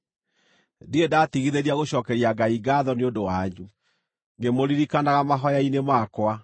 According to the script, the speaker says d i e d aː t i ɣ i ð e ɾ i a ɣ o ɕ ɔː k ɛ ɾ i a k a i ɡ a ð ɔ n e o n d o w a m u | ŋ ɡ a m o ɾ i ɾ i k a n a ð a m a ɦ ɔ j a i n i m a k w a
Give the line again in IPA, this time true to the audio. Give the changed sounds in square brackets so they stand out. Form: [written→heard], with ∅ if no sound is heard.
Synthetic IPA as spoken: d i e d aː t i ɣ i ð e ɾ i a ɣ o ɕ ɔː k ɛ ɾ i a [k→ɡ] a i ɡ a ð ɔ n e o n d o w a [m→ɲ] u | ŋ ɡ [a→e] m o ɾ i ɾ i k a n a [ð→ɣ] a m a ɦ ɔ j a i n [i→e] m a k w a